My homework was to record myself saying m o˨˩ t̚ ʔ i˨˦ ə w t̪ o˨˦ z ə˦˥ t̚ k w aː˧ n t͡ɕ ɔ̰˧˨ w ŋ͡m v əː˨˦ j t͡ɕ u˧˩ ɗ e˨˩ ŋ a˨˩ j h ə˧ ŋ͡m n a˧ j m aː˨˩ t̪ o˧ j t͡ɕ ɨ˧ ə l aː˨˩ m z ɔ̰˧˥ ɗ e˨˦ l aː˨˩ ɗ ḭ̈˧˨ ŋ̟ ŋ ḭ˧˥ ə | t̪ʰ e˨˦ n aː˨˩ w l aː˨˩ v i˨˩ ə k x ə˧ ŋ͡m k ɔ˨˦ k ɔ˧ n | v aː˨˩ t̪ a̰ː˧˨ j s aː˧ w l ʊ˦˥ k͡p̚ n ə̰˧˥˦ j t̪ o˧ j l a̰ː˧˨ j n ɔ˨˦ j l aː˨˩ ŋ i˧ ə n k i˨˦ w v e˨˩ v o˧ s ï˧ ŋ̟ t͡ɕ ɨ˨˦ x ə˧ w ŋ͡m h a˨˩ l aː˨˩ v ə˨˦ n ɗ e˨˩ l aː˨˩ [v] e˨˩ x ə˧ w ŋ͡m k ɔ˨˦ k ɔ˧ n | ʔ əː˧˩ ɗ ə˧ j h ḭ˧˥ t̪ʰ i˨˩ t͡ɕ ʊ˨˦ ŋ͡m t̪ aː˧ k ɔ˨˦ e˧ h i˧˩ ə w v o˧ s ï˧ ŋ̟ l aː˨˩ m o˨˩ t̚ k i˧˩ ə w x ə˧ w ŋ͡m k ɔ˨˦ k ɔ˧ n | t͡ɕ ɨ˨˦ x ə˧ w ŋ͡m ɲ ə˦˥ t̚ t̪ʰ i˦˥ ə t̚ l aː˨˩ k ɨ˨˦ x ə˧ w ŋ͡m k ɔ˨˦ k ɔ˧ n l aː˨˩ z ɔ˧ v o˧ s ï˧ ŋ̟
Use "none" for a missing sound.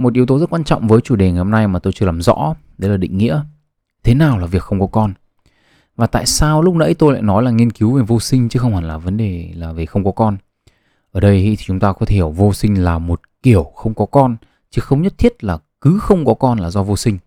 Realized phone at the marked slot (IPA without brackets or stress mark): v